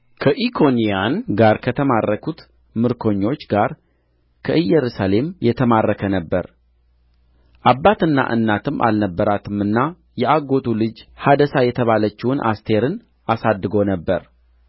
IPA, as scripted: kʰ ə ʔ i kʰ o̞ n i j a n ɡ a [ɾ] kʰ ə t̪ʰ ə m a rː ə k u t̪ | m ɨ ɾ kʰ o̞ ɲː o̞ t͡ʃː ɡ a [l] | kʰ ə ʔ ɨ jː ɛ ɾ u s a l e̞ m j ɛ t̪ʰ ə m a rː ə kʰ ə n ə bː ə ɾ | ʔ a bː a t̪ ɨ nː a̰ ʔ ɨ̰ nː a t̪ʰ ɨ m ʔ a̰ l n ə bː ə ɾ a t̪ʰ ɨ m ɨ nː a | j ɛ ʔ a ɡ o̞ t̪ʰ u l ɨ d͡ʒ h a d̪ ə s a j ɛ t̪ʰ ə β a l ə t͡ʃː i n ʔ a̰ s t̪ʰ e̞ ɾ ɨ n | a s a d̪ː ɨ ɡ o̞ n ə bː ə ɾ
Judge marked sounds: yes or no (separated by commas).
yes, no